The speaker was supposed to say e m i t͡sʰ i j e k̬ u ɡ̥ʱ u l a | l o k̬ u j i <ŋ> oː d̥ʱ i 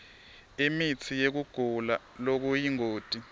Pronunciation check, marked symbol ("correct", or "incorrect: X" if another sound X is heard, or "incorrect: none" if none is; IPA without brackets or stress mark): correct